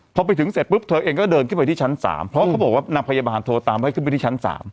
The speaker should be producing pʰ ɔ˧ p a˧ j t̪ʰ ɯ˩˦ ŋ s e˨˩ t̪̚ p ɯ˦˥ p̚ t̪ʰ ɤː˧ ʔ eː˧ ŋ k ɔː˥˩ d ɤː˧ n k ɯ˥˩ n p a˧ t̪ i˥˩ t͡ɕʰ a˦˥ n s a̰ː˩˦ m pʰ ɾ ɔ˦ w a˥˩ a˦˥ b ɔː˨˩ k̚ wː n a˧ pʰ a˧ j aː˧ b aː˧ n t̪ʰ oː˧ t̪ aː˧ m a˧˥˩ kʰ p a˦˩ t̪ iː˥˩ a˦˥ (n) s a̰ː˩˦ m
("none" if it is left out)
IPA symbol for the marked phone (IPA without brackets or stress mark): n